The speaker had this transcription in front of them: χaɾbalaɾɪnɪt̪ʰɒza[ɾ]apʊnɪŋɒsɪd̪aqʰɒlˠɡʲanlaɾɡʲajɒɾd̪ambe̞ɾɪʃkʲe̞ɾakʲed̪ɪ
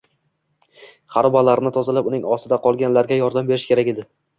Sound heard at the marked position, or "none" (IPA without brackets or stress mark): l